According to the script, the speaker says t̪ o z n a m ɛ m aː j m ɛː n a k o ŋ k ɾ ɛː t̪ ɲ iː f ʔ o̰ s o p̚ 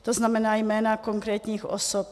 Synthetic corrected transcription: t̪ o z n a m ɛ n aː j m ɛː n a k o ŋ k ɾ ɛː t̪ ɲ iː x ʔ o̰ s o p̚